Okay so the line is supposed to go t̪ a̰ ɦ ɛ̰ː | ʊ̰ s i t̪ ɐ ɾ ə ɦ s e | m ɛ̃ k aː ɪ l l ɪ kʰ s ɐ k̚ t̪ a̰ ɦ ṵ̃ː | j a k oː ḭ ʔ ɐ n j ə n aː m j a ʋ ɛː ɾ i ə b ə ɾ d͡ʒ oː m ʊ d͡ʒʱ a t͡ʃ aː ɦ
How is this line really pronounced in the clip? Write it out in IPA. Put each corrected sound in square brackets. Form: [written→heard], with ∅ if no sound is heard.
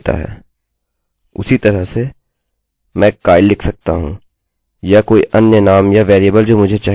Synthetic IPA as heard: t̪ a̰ ɦ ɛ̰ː | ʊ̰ s i t̪ ɐ ɾ ə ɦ s e | m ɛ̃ k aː ɪ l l ɪ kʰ s ɐ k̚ t̪ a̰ ɦ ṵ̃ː | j a k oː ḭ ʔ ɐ n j ə n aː m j a ʋ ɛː ɾ i ə b ə [ɾ→l] d͡ʒ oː m ʊ d͡ʒʱ [a→e] t͡ʃ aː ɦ